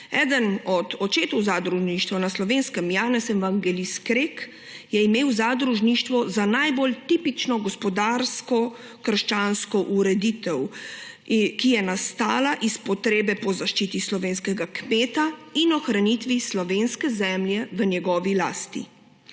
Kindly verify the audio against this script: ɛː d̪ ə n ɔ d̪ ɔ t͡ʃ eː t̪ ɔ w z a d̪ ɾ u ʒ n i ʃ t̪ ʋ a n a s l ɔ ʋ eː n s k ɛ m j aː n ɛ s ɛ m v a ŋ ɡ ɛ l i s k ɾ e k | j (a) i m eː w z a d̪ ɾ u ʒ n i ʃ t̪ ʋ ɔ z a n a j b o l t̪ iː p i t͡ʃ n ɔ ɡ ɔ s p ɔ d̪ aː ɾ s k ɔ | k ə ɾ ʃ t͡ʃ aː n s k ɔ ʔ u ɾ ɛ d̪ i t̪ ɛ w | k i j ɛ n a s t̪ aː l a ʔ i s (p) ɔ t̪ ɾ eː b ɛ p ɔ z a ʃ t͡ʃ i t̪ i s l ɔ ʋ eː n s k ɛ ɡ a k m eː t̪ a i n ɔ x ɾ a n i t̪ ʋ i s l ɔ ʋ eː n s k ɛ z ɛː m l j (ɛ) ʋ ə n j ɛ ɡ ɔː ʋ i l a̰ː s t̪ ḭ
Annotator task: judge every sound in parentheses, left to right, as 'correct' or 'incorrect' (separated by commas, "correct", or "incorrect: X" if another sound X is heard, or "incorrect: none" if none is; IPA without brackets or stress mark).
incorrect: ɛ, correct, correct